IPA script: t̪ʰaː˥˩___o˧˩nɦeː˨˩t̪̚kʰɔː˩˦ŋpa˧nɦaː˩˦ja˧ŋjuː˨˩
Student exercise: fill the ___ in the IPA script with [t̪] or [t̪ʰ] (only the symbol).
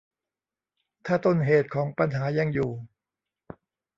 t̪